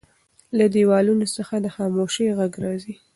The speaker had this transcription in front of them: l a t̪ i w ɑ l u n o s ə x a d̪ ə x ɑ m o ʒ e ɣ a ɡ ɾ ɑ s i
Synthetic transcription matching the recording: l a d̪ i w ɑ l u n o s ə x a d̪ ə x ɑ m o ʃ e ɣ a ɡ ɾ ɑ z i